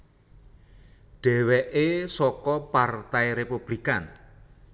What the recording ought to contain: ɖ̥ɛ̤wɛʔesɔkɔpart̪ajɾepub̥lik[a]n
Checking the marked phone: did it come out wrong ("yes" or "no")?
no